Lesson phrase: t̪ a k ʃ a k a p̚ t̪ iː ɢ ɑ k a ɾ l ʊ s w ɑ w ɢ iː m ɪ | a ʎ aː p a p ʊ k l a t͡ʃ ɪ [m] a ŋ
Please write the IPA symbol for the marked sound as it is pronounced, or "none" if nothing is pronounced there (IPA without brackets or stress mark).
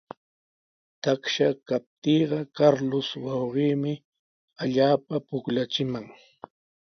m